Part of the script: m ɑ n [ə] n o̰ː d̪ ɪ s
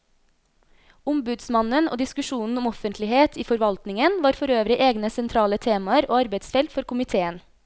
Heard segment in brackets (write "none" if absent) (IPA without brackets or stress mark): ə